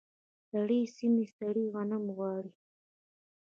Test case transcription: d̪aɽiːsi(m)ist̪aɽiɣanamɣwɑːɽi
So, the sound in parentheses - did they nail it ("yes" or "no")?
yes